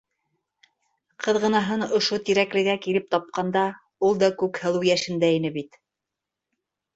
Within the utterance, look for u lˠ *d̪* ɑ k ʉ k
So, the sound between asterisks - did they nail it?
yes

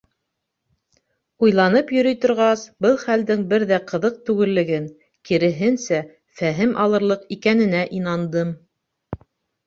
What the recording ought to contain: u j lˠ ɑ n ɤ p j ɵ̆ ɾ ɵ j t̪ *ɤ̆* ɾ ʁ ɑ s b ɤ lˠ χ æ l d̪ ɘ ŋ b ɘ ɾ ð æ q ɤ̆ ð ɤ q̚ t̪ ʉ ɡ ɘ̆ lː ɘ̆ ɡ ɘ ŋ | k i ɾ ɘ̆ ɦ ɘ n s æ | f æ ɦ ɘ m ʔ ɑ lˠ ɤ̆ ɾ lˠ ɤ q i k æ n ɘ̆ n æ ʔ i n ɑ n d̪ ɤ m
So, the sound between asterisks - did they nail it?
no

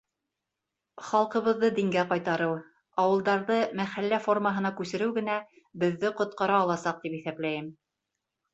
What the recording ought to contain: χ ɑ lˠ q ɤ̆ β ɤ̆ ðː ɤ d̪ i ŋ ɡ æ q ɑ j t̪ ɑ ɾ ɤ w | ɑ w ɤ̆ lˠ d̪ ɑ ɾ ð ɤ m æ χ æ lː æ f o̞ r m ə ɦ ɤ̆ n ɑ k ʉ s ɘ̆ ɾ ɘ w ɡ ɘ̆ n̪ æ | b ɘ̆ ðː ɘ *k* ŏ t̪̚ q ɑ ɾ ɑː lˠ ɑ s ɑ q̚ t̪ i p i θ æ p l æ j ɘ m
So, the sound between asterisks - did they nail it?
no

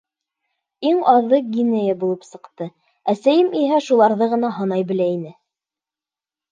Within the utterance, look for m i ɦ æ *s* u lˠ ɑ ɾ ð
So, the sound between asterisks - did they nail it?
no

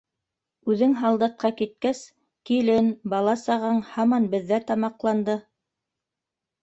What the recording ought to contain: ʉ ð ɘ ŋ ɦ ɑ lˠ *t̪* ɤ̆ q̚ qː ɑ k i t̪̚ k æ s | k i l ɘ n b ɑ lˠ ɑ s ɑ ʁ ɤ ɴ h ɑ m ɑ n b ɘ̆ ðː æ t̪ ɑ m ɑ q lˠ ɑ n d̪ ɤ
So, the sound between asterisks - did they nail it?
no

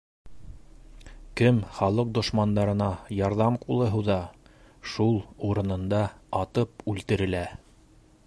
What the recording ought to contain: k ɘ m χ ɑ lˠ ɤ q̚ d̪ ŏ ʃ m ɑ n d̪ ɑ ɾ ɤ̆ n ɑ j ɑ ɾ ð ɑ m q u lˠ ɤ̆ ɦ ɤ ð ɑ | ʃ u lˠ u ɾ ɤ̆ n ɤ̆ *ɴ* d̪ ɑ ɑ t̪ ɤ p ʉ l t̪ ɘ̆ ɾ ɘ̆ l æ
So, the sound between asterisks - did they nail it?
no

